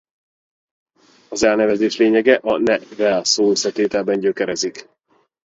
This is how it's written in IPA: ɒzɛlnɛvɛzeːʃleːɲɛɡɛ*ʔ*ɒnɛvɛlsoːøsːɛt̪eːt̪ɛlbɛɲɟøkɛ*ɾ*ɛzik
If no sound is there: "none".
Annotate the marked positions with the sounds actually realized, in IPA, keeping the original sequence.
ʔ, ɾ

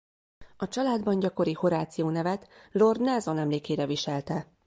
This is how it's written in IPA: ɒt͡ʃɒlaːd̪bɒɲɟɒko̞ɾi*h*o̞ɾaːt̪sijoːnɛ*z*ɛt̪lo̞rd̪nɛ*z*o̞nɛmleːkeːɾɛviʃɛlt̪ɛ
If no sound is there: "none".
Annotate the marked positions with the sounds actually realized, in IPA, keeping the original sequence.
h, v, z

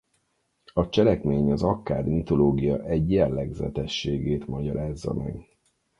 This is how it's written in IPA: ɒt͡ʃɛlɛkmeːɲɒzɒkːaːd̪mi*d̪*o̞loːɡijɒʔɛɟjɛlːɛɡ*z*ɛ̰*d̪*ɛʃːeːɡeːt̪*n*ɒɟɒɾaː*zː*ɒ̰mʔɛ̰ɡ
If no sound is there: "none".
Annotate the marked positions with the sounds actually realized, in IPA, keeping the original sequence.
t̪, z, t̪, m, zː

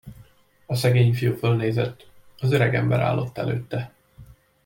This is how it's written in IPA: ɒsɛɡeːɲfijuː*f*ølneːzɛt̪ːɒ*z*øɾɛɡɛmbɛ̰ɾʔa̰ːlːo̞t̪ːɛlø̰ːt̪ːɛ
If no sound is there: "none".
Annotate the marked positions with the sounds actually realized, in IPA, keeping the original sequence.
f, z

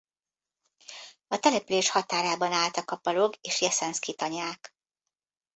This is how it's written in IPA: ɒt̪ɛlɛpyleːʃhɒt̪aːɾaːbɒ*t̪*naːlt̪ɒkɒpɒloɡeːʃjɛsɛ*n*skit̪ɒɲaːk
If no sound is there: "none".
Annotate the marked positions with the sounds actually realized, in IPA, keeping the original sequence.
none, n

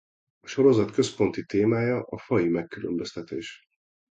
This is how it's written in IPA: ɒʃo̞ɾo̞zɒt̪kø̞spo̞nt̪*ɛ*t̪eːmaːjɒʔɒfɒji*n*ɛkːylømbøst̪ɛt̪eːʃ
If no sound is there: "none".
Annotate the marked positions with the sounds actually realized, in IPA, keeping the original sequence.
i, m

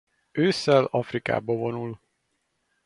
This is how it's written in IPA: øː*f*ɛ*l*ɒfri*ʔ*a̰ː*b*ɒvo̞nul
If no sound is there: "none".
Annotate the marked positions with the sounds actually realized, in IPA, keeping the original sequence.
s, l, k, b

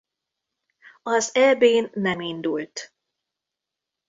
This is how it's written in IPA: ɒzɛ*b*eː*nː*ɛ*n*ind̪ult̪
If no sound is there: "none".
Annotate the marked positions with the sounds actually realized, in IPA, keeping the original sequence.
b, nː, m

